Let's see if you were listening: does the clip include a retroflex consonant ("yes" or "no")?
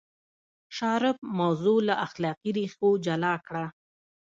yes